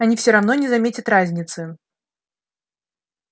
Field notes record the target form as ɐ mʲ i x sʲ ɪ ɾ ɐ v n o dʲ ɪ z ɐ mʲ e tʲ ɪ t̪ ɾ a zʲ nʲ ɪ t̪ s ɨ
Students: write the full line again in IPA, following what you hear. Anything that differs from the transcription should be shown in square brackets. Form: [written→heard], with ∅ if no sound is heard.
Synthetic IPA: ɐ [mʲ→nʲ] i [x→f] sʲ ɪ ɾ ɐ v n o [dʲ→nʲ] ɪ z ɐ mʲ e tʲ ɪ t̪ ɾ a zʲ nʲ ɪ t̪ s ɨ